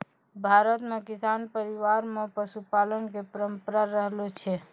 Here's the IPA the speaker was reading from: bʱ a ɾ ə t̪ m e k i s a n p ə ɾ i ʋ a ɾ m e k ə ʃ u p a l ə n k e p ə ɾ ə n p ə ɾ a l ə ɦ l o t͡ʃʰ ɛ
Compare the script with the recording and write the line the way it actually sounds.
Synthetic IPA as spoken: bʱ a ɾ ə t̪ m e k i s a n p ə ɾ i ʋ a ɾ m e p ə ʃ u p a l ə n k e p ə ɾ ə m p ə ɾ a ɾ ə ɦ l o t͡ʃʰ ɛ

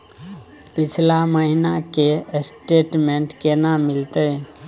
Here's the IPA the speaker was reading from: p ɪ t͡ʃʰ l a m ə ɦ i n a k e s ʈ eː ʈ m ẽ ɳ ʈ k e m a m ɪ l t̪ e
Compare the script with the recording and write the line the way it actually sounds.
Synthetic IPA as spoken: p ɪ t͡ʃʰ l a m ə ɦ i n a k e s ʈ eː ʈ m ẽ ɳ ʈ k e n a m ɪ l t̪ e

